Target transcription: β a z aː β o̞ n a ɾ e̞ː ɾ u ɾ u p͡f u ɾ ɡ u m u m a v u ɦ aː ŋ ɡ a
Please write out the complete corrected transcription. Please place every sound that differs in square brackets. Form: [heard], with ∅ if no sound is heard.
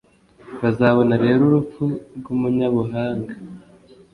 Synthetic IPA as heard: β a z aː β o̞ n a ɾ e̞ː ɾ u ɾ u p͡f u ɾ ɡ u m u [ɲ] a [β] u ɦ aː ŋ ɡ a